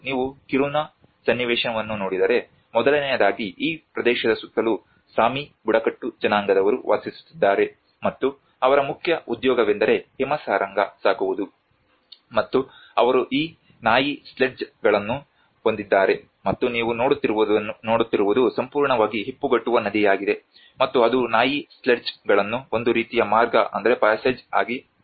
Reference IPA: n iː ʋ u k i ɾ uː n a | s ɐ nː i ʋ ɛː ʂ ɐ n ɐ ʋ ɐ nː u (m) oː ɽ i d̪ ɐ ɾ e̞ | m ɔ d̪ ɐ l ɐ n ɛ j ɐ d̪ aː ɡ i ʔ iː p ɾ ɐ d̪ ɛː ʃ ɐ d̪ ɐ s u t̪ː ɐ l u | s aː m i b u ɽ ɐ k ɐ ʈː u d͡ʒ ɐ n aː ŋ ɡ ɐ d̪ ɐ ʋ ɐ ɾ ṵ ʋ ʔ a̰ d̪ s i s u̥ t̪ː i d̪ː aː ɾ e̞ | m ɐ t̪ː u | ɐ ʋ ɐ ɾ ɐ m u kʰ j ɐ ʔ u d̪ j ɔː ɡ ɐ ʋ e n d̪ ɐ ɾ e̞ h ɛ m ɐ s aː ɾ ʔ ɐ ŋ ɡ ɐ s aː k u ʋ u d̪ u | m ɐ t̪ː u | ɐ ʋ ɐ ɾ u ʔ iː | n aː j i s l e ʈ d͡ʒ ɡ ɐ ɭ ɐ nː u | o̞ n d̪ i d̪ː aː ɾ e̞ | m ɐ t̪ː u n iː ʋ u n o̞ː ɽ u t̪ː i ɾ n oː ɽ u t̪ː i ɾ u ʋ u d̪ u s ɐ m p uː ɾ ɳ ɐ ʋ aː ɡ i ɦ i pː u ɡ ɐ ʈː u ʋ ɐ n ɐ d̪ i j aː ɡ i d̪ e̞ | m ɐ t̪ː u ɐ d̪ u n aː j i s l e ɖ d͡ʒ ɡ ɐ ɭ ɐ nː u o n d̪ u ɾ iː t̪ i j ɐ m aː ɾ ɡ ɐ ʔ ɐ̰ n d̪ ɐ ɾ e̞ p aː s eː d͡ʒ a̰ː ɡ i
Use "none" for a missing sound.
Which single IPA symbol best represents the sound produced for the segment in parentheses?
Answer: n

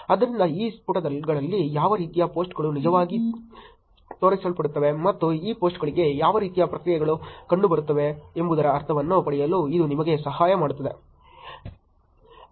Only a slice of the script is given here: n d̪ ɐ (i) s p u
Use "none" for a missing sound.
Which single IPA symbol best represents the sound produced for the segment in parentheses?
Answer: iː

